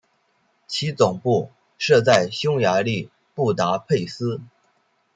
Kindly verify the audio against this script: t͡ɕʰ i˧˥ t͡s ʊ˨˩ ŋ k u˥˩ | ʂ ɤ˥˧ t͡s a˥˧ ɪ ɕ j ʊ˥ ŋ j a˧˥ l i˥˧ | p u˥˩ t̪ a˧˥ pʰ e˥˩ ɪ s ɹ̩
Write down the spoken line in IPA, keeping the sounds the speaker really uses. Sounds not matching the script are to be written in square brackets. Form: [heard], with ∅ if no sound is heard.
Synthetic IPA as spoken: t͡ɕʰ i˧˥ t͡s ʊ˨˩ ŋ [p] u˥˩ | ʂ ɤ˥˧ t͡s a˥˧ ɪ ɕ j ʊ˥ ŋ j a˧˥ l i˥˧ | p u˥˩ t̪ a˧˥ pʰ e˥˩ ɪ s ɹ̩